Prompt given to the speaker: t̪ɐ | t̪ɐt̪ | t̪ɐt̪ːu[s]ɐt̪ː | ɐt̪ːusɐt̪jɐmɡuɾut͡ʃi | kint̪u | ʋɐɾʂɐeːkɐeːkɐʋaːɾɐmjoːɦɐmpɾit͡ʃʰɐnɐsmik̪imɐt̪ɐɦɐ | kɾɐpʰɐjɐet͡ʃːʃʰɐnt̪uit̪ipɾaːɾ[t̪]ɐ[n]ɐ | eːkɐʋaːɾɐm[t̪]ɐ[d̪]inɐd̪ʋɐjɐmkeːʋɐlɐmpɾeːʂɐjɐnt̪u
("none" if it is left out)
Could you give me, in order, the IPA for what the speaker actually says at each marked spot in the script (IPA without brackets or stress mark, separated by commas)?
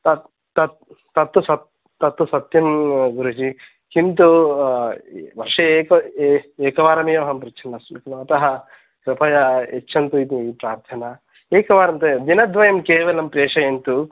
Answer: s, t̪ʰ, n, t̪, d̪